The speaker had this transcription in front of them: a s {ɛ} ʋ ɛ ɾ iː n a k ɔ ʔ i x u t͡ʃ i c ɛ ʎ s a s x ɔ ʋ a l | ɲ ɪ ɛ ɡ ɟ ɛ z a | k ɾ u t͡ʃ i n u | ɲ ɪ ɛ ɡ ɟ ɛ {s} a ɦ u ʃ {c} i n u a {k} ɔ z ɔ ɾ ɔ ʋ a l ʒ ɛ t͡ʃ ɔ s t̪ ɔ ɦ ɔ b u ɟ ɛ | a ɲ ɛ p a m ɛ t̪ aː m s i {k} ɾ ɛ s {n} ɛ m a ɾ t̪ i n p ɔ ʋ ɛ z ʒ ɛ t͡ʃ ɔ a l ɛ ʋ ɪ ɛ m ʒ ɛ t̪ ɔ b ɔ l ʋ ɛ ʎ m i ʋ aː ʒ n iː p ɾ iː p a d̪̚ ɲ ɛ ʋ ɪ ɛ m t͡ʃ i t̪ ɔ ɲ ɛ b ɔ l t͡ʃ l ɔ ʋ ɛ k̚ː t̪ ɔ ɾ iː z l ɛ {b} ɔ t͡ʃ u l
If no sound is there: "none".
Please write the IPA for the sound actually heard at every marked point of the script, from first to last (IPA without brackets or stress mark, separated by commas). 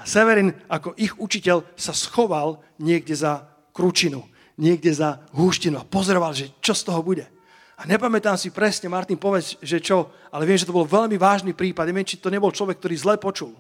ɛ, z, c, p, p, ɲ, p